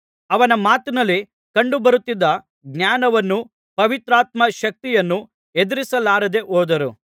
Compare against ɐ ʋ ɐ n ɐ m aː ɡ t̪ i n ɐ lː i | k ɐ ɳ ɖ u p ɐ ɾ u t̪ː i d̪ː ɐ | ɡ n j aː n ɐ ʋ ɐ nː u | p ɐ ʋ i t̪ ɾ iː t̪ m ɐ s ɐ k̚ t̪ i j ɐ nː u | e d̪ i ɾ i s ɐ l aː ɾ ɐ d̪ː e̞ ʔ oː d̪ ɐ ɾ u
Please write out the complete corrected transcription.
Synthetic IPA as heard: ɐ ʋ ɐ n ɐ m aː t̪ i n ɐ lː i | k ɐ ɳ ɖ u b ɐ ɾ u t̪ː i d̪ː ɐ | ɡ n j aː n ɐ ʋ ɐ nː u | p ɐ ʋ i t̪ ɾ aː t̪ m ɐ ʃ ɐ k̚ t̪ i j ɐ nː u | e d̪ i ɾ i s ɐ l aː ɾ ɐ d̪ e̞ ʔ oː d̪ ɐ ɾ u